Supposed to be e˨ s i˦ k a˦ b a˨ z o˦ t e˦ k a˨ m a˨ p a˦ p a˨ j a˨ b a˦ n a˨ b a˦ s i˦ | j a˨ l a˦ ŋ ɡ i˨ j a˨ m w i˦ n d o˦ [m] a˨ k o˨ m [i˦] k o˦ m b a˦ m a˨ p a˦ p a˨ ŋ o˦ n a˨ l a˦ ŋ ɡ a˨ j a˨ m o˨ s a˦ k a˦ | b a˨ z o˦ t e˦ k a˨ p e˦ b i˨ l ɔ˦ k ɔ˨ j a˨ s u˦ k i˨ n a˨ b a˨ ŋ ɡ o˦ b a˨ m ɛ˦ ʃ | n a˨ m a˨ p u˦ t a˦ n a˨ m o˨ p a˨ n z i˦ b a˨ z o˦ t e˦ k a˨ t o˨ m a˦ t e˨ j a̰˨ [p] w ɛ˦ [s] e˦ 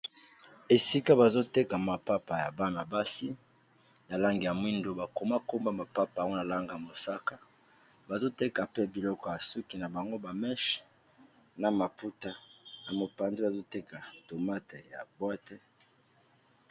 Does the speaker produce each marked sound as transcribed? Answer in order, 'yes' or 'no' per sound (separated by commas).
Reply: no, no, no, no